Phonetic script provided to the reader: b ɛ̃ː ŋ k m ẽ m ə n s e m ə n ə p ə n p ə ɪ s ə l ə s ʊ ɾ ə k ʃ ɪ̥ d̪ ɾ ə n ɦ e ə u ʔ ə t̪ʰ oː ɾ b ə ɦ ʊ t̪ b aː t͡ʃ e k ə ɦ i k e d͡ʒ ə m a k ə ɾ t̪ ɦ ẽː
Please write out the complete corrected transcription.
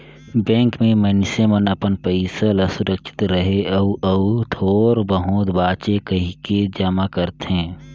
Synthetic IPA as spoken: b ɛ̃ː ŋ k m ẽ m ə n s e m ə n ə p ə n p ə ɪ s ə l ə s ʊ ɾ ə k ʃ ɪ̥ t̪ ɾ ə ɦ e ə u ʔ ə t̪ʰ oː ɾ b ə ɦ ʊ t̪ b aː t͡ʃ e k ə ɦ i k e d͡ʒ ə m a k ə ɾ t̪ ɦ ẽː

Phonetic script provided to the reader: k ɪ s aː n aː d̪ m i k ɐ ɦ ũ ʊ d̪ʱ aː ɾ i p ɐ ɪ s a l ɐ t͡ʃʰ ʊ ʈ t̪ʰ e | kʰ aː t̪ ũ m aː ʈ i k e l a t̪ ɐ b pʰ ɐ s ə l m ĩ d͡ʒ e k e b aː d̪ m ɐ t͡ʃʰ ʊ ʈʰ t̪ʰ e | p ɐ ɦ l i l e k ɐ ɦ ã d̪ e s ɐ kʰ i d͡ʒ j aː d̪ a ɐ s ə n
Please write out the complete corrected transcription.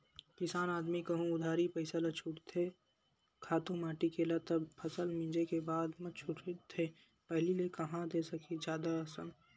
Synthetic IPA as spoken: k ɪ s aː n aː d̪ m i k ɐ ɦ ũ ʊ d̪ʱ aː ɾ i p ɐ ɪ s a l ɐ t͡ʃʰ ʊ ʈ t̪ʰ e | kʰ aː t̪ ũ m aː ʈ i k e l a t̪ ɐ b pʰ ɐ s ə l m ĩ d͡ʒ e k e b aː d̪ m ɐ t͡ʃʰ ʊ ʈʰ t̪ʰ e | p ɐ ɦ l i l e k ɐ ɦ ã d̪ e s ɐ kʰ i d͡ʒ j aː d̪ a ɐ s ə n

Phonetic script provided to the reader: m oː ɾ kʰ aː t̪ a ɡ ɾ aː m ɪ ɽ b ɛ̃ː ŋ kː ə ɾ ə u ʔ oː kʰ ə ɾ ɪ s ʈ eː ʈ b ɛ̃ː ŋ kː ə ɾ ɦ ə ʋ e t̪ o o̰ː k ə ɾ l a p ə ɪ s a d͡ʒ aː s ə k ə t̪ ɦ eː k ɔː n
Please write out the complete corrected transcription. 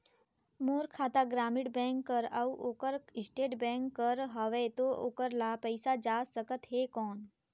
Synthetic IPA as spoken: m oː ɾ kʰ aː t̪ a ɡ ɾ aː m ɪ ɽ b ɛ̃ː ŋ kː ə ɾ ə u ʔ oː k ə ɾ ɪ s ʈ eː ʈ b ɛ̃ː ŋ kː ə ɾ ɦ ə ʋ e t̪ o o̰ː k ə ɾ l a p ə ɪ s a d͡ʒ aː s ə k ə t̪ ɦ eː k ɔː n

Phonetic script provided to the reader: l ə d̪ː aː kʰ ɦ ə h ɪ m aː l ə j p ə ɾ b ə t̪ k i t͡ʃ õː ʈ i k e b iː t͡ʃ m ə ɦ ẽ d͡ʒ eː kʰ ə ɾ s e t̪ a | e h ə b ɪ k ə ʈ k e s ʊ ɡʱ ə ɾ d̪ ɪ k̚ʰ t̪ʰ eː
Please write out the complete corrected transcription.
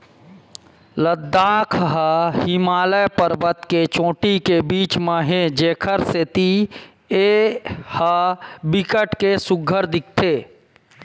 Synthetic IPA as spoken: l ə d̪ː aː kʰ ɦ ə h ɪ m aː l ə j p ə ɾ b ə t̪ k e t͡ʃ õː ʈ i k e b iː t͡ʃ m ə ɦ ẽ d͡ʒ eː kʰ ə ɾ s e t̪ i | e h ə b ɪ k ə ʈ k e s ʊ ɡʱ ə ɾ d̪ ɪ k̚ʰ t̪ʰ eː

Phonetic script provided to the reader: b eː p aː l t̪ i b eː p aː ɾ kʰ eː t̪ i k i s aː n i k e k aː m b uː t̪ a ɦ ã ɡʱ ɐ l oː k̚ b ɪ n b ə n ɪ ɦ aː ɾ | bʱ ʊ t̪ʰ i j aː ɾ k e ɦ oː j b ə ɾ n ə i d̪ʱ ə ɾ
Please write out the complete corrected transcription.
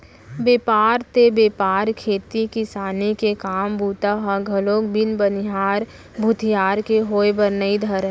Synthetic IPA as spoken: b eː p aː ɾ t̪ e b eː p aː ɾ kʰ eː t̪ i k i s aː n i k e k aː m b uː t̪ a ɦ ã ɡʱ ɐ l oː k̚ b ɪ n b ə n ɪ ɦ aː ɾ | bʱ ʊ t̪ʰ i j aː ɾ k e ɦ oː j b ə ɾ n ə i d̪ʱ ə ɾ

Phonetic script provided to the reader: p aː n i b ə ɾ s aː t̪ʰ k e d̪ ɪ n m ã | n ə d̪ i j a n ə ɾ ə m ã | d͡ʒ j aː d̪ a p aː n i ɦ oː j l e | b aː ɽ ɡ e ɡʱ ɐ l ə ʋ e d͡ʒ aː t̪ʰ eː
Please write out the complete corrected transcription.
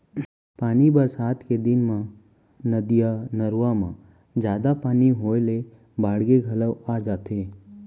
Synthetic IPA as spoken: p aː n i b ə ɾ s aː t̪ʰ k e d̪ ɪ n m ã | n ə d̪ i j a n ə ɾ a m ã | d͡ʒ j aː d̪ a p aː n i ɦ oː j l e | b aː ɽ ɡ e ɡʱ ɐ l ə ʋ a d͡ʒ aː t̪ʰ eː

